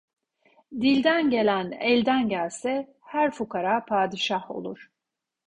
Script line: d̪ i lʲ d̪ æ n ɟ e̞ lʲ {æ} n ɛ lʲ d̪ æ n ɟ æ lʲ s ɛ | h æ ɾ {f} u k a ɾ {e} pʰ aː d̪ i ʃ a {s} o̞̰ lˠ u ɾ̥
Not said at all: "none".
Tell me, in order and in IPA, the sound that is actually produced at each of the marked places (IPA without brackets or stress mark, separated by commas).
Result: æ, f, a, h